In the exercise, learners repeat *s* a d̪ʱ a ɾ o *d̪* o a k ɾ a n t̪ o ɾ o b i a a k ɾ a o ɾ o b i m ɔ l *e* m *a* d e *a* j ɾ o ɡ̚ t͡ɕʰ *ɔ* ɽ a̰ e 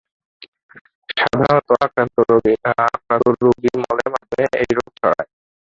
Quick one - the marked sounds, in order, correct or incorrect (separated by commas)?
incorrect, incorrect, correct, correct, incorrect, correct